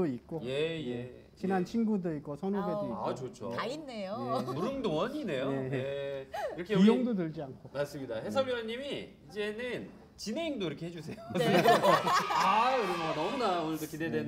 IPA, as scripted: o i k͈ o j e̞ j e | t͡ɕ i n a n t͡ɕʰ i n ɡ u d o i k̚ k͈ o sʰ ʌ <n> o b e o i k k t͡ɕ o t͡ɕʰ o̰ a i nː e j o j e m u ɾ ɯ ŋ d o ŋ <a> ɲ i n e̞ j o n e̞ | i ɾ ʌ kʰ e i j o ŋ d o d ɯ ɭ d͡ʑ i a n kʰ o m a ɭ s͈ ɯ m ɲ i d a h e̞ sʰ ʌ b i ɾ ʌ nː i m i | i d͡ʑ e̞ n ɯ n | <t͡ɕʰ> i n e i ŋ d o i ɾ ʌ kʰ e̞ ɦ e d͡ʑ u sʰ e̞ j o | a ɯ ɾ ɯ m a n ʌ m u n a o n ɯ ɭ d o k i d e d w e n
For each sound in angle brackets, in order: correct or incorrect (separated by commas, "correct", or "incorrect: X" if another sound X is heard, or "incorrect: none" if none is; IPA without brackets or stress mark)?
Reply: correct, incorrect: ʌ, incorrect: t͡ɕ